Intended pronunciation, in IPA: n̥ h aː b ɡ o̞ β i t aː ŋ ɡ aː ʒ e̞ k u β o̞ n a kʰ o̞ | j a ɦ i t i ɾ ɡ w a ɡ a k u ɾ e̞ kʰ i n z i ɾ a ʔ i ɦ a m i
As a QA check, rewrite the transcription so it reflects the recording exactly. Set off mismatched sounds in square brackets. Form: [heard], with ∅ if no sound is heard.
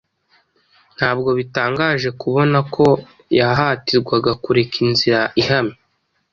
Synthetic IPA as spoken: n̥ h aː b ɡ o̞ β i t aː ŋ ɡ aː ʒ e̞ k u β o̞ n a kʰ o̞ | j a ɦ [a] t i ɾ ɡ w a ɡ a k u ɾ e̞ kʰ i n z i ɾ a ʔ i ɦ a m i

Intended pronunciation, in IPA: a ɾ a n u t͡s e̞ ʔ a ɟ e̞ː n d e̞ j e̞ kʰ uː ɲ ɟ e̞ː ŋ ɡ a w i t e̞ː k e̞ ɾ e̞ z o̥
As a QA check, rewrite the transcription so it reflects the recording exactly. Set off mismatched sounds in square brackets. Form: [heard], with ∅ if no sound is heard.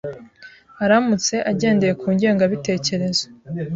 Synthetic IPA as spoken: a ɾ a [m] u t͡s e̞ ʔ a ɟ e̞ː n d e̞ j e̞ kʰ uː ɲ ɟ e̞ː ŋ ɡ a [β] i t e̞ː [c] e̞ ɾ e̞ z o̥

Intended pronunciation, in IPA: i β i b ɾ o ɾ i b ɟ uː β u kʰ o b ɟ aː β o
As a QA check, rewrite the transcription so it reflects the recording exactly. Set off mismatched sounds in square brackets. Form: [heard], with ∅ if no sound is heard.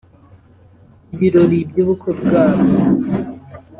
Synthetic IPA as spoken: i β i [∅] ɾ o ɾ i b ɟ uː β u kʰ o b [ɡ] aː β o

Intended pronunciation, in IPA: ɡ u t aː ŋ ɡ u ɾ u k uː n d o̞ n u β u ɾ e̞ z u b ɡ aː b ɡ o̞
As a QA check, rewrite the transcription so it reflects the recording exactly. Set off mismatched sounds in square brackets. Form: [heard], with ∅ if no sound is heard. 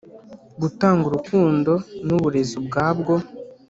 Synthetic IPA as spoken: ɡ u t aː ŋ ɡ u ɾ u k uː n d o̞ n u β u ɾ e̞ z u b ɡ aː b ɡ o̞

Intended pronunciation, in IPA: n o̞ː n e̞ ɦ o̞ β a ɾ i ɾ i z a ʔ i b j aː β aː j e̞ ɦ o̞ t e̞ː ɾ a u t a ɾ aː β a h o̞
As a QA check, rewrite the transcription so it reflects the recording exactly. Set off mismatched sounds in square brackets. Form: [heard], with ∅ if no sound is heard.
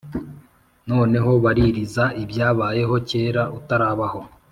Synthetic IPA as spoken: n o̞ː n e̞ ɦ o̞ β a ɾ i ɾ i z a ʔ i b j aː β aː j e̞ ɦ o̞ [c] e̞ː ɾ a u t a ɾ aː β a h o̞

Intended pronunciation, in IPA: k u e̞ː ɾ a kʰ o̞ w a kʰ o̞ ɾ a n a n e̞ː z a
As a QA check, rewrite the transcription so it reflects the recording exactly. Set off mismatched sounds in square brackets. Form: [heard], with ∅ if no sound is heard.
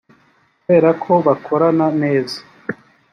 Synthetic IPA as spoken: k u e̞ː ɾ a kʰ o̞ [β] a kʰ o̞ ɾ a n a n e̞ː z a

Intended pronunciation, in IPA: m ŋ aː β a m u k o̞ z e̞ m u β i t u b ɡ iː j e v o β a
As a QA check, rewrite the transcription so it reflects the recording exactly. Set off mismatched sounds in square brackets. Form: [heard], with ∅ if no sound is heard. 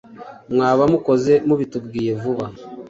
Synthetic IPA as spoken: m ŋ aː β a m u k o̞ z e̞ m u β i t u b ɡ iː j e v [u] β a

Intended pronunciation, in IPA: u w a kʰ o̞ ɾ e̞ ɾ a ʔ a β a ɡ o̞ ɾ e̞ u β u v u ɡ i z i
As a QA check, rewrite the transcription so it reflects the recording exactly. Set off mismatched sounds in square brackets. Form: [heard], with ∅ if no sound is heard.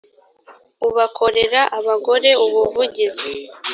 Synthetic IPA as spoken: u [β] a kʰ o̞ ɾ e̞ ɾ a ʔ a β a ɡ o̞ ɾ e̞ u β u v u [ɟ] i z i

